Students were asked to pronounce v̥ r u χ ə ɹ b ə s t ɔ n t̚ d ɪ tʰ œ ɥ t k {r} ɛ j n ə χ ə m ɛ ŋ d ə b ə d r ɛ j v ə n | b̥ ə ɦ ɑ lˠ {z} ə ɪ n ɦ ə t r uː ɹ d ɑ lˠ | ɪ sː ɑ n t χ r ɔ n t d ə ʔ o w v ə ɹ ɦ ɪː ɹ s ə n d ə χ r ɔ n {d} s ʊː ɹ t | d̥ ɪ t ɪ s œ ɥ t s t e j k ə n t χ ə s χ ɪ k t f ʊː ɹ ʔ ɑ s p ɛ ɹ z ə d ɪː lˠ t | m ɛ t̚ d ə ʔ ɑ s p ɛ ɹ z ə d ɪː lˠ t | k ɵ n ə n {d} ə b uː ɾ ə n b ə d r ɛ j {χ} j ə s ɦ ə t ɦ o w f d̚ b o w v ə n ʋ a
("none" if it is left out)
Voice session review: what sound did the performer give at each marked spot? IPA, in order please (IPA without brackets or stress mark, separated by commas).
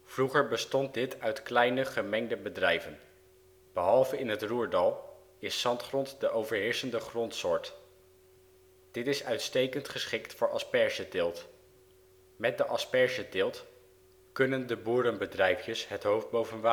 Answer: l, v, t, d, f